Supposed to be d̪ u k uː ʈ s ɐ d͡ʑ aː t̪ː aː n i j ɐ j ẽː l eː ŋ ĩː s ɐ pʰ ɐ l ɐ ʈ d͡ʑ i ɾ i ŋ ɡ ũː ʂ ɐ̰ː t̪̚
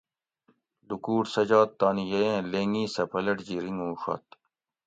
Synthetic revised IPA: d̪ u k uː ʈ s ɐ d͡ʑ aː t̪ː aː n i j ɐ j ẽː l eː ŋ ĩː s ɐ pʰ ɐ l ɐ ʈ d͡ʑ i ɾ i ŋ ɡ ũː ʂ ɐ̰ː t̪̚